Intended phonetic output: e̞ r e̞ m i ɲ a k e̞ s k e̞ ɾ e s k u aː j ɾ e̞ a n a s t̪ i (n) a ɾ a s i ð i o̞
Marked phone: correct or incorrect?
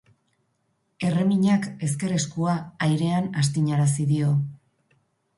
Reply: incorrect: ɲ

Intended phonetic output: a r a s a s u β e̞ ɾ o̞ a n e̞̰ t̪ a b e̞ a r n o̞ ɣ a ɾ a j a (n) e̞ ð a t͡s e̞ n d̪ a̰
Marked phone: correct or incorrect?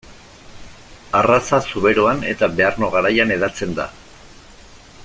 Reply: correct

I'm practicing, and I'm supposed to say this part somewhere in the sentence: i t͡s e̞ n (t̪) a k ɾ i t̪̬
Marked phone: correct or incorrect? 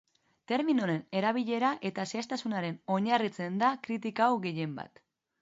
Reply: incorrect: d̪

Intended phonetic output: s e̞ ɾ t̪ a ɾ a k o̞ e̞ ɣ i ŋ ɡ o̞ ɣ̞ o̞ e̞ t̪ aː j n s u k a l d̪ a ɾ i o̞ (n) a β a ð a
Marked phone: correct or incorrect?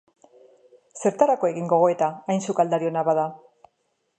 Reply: correct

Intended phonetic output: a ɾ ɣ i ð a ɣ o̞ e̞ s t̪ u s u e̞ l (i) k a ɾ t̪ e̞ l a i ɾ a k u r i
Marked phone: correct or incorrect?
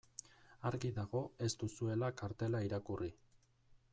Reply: incorrect: a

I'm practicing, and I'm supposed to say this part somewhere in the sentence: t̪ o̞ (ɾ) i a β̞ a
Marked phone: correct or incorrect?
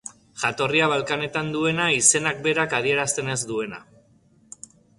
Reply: incorrect: r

